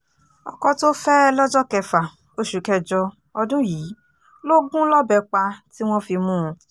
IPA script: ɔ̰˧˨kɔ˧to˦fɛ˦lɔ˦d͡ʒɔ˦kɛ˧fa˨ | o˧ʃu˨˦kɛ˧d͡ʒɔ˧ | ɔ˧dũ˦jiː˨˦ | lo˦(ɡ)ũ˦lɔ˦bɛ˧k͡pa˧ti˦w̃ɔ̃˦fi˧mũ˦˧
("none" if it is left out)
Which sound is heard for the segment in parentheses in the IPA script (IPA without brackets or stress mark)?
ɡ